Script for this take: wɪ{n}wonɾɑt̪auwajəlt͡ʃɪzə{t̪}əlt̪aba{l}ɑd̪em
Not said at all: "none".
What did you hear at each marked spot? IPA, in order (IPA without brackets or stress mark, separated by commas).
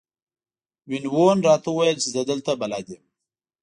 n, d̪, l